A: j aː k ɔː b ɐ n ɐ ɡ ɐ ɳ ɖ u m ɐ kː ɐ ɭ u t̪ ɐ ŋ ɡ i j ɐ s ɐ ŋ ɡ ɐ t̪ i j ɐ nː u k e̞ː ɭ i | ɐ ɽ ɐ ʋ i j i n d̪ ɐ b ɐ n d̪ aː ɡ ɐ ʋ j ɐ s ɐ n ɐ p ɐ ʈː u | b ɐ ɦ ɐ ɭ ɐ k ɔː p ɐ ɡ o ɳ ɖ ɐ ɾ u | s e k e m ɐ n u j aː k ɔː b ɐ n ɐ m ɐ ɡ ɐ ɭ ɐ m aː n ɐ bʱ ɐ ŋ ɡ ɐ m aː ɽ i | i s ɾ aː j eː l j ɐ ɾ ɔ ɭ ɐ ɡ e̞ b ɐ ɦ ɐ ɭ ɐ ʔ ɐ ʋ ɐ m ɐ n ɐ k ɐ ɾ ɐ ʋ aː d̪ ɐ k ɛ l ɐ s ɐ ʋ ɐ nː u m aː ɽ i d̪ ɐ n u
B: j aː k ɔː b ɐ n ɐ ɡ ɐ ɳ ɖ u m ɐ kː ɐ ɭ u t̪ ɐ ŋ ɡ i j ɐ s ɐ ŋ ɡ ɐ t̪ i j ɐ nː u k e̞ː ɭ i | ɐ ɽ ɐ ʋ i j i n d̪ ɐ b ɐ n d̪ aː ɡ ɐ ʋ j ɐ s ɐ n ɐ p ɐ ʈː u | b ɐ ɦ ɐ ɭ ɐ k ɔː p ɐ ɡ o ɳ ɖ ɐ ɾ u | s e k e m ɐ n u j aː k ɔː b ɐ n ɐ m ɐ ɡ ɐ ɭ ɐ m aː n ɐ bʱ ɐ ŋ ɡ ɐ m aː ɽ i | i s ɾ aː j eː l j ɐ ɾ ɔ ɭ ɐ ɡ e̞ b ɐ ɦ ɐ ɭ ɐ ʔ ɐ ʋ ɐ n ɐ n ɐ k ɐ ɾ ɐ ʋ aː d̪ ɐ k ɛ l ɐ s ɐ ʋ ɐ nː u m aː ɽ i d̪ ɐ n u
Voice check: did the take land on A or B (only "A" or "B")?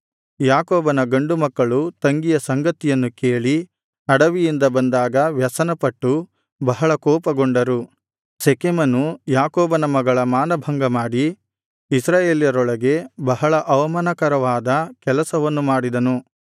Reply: A